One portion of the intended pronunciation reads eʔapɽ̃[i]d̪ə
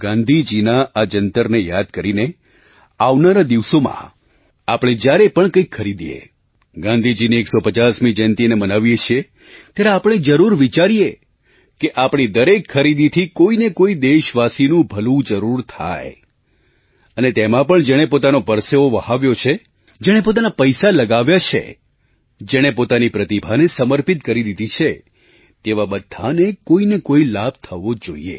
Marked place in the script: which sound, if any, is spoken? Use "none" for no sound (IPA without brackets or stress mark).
i